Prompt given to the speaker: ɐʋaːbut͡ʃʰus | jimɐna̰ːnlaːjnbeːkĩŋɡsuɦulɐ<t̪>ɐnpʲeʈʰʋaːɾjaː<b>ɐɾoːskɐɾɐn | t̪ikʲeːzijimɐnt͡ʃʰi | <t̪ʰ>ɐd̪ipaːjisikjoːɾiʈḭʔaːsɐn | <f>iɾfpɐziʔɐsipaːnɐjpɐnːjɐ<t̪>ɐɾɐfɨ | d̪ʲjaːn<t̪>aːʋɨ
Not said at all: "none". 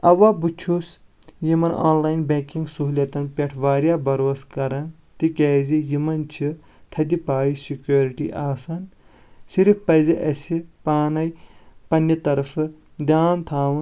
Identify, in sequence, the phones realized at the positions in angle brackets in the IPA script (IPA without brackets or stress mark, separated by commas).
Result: t̪, b, t̪ʰ, s, t̪, t̪ʰ